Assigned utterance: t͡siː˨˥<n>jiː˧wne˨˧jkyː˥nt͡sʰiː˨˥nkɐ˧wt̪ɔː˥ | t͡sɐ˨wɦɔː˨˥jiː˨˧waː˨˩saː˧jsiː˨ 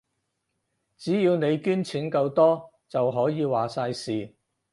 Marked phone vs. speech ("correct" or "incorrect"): incorrect